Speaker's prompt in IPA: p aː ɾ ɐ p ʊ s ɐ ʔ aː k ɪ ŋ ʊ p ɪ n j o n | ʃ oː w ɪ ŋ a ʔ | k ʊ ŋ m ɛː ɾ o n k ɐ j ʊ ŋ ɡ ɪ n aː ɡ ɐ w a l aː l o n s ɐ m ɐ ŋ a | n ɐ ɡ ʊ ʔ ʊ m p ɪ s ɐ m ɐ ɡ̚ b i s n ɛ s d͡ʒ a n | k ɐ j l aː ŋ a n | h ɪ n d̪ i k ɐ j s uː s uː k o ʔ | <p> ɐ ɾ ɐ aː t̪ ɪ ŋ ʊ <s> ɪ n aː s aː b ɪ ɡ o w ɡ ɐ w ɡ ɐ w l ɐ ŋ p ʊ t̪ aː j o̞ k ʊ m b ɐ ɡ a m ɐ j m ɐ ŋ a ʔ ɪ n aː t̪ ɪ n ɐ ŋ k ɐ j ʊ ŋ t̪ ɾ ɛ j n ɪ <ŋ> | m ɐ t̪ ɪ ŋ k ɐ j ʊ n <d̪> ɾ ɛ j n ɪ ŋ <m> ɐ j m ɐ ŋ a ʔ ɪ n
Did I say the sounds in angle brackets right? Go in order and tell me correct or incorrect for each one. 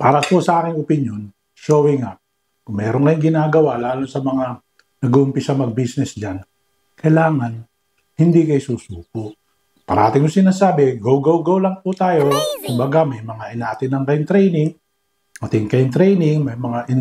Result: correct, correct, correct, incorrect, correct

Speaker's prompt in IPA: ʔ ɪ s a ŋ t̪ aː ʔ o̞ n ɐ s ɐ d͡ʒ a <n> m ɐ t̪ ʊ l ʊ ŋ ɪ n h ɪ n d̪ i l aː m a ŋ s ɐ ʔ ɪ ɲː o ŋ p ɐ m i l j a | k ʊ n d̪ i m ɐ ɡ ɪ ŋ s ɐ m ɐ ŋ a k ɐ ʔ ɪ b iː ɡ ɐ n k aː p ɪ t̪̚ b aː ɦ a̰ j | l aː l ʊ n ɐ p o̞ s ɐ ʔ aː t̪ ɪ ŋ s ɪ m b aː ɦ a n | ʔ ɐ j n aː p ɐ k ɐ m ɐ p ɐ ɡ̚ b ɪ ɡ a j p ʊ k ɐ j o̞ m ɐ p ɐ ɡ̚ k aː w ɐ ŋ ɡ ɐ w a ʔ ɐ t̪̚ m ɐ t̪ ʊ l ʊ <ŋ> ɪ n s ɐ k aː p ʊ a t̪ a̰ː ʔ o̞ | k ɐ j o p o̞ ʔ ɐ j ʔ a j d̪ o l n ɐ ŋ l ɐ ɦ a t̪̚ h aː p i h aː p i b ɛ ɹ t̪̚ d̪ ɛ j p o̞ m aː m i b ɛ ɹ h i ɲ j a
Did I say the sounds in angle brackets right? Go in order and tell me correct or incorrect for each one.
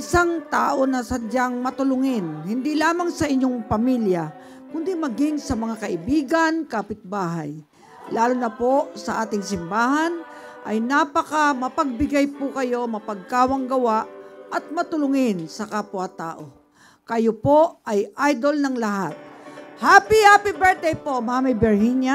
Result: incorrect, correct

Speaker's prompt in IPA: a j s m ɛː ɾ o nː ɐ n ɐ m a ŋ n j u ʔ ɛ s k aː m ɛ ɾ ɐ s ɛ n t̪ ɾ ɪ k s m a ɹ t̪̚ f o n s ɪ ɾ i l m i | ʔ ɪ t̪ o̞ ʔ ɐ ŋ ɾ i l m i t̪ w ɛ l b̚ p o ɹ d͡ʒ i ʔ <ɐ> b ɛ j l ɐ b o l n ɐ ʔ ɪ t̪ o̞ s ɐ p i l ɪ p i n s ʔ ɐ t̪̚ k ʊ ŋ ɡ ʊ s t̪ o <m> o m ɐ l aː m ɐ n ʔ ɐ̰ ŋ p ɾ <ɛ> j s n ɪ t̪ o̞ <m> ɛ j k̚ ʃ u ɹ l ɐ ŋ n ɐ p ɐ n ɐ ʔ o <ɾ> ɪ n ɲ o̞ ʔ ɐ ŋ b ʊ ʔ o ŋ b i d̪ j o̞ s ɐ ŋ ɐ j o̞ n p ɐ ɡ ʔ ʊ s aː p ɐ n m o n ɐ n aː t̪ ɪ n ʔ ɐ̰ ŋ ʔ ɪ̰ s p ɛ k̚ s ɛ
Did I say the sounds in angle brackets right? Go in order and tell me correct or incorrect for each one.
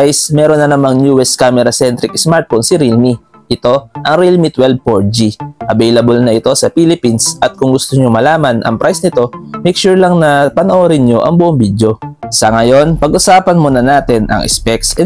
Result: correct, incorrect, incorrect, correct, correct

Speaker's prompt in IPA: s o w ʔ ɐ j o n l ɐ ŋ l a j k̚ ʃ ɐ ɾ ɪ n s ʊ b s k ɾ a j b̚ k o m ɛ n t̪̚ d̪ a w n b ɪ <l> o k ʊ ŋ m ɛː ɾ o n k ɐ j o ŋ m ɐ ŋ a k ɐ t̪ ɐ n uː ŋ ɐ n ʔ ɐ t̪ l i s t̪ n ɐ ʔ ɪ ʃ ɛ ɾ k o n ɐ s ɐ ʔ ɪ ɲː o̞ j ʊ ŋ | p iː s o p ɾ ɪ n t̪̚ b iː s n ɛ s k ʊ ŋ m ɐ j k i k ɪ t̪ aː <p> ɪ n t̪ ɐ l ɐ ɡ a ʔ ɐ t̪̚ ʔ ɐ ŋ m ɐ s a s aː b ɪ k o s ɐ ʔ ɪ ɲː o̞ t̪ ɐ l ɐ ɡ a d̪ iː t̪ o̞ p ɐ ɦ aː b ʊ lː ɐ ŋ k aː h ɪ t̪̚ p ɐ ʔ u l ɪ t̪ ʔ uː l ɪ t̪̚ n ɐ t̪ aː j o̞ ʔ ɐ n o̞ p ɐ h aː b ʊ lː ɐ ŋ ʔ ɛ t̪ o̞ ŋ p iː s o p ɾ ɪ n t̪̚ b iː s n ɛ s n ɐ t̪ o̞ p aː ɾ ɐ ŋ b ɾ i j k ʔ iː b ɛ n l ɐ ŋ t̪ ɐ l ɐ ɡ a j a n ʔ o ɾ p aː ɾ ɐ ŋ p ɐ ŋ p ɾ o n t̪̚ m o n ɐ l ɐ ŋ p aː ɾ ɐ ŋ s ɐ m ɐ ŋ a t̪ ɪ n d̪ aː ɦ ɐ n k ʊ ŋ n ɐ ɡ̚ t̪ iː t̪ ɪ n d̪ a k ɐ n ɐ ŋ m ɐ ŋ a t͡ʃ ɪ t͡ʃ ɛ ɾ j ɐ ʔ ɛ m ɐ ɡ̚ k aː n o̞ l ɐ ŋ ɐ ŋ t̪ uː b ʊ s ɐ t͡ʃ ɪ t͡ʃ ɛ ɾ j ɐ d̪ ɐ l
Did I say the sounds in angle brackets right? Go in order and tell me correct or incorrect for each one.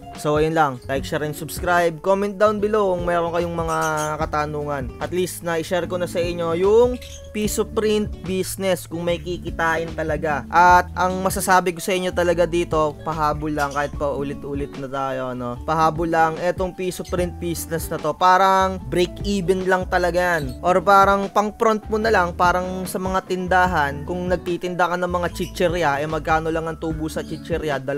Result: correct, incorrect

